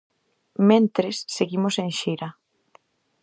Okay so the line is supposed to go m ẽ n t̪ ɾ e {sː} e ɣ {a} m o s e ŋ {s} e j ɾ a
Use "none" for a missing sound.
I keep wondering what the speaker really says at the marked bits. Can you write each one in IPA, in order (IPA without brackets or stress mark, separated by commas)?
sː, i, ʃ